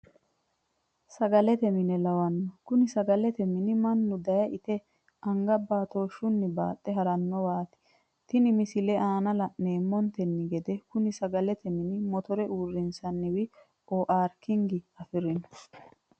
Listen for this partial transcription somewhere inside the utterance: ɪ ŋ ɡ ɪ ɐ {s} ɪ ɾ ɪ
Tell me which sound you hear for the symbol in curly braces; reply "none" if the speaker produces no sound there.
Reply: f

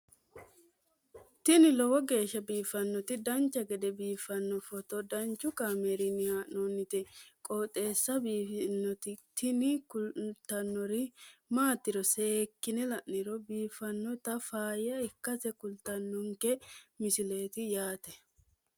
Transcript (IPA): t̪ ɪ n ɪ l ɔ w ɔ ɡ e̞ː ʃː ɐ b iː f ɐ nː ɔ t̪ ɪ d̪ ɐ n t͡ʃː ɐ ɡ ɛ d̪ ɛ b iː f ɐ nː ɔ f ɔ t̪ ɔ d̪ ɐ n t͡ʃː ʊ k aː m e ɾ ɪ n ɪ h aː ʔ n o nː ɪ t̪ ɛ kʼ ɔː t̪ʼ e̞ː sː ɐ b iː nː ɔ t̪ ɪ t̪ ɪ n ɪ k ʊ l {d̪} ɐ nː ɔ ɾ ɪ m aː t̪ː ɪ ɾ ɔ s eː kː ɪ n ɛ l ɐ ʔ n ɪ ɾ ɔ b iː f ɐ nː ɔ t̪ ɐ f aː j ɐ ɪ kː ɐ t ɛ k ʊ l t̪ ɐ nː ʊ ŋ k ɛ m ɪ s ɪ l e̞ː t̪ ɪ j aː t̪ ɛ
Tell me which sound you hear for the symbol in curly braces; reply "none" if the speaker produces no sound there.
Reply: t̪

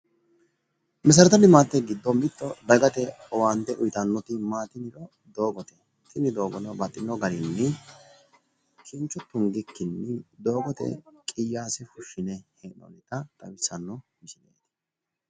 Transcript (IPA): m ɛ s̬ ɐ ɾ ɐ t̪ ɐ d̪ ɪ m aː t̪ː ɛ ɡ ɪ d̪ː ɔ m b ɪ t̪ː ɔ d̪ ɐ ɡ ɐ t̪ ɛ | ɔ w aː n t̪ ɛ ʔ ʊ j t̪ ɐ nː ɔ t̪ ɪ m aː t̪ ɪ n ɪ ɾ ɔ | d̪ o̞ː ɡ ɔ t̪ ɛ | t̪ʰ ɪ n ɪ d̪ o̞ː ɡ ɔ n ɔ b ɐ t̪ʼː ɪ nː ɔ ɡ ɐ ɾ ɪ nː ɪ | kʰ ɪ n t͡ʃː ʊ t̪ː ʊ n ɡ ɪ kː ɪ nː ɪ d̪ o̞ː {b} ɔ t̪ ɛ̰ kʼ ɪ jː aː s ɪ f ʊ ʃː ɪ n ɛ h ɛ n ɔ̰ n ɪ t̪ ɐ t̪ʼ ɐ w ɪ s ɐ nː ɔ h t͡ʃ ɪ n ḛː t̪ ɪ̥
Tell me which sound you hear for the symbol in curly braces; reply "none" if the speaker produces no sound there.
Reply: ɡ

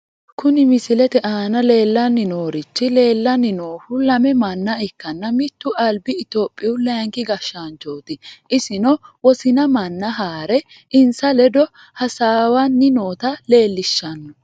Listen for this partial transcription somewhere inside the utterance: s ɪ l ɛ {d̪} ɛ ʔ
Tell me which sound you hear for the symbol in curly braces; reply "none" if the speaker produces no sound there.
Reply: t̪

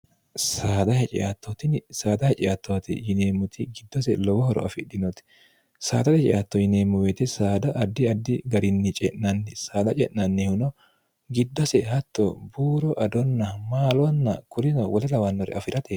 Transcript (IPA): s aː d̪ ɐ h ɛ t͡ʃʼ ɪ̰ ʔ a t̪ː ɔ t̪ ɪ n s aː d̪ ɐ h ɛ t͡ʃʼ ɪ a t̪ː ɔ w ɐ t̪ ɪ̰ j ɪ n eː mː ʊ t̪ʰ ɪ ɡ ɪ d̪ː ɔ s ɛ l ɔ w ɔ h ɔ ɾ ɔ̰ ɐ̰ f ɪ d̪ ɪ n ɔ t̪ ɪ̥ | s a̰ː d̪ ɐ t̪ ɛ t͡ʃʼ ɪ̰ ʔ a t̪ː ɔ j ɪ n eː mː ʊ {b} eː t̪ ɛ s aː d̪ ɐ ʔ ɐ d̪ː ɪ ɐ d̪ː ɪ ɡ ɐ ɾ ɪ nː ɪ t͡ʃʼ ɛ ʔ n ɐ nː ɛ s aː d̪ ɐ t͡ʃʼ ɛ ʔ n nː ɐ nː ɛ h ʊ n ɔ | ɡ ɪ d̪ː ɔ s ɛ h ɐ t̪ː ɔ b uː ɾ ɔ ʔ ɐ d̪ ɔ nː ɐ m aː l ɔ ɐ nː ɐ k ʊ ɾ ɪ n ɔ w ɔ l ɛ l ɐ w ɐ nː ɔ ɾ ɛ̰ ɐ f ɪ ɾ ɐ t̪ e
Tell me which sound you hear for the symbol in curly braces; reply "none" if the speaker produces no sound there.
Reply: w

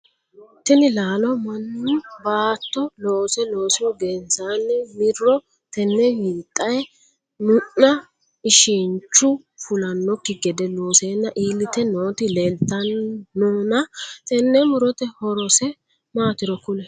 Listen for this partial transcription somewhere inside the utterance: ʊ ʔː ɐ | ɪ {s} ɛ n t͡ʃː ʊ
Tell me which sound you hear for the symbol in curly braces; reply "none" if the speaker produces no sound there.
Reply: ʃ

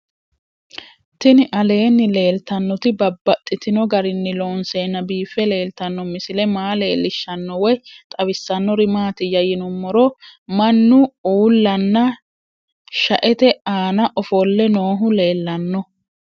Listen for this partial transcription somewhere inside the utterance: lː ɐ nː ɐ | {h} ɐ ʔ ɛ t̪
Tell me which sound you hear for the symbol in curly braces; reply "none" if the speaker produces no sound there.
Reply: ʃ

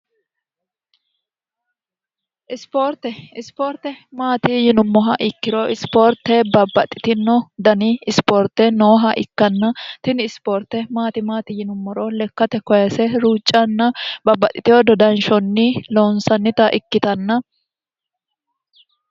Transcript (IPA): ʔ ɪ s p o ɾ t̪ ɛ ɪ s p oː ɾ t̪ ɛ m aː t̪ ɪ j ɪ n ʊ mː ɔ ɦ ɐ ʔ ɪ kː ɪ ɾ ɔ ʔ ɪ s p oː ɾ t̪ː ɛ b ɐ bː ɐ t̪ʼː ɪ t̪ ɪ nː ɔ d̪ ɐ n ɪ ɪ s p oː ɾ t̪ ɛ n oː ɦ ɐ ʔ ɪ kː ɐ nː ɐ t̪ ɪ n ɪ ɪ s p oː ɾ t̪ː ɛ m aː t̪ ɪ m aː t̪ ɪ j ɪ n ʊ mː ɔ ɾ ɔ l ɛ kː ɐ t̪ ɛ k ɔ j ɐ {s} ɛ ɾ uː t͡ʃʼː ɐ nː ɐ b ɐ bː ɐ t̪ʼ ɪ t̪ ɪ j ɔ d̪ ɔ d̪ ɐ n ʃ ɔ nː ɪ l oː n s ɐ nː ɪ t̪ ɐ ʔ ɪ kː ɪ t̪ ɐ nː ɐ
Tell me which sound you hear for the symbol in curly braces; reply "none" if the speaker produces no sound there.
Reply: s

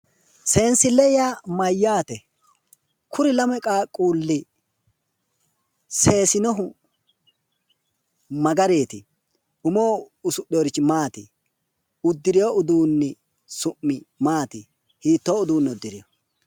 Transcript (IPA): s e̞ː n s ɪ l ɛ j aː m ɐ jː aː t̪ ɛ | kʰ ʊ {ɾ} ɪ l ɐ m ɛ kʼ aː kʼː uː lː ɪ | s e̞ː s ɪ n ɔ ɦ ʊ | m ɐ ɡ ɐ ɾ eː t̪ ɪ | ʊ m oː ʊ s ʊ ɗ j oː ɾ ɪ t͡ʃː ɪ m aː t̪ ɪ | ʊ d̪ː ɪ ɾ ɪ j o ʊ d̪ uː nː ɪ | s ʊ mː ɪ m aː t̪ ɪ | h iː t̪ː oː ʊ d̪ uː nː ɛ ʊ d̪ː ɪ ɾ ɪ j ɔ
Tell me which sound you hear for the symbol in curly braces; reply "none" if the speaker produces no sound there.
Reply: ɾ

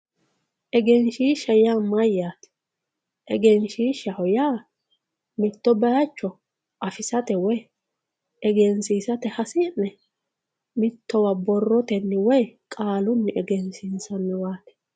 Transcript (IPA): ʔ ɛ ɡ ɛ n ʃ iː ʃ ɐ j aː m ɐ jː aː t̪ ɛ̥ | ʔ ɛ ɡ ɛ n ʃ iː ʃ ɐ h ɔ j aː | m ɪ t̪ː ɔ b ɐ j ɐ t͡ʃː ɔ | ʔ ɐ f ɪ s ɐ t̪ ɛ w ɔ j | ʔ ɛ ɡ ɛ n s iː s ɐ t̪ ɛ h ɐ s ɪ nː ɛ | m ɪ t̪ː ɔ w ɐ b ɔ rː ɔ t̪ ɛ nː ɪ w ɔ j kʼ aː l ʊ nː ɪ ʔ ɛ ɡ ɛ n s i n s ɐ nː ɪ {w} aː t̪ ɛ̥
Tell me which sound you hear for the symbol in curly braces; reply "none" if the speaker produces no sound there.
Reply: w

